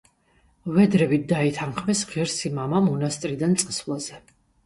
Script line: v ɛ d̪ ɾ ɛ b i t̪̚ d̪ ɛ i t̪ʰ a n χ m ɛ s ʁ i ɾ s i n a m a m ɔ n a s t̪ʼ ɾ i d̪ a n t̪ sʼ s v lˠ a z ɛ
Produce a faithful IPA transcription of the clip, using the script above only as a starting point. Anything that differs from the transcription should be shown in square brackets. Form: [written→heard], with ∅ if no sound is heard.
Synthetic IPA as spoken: v ɛ d̪ ɾ ɛ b i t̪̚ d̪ [ɛ→a] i t̪ʰ a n χ m ɛ s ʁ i ɾ s i [n→m] a m a m ɔ n a s t̪ʼ ɾ i d̪ a n t̪ sʼ s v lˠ a z ɛ